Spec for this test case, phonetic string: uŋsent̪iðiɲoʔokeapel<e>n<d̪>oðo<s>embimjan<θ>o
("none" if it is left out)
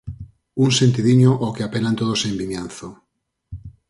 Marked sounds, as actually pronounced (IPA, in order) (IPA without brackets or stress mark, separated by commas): a, t̪, s, θ